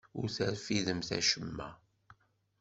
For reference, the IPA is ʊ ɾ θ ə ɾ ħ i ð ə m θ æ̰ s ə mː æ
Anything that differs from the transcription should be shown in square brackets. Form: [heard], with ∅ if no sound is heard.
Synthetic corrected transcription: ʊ ɾ θ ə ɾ [f] i ð ə m θ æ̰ [ʃ] ə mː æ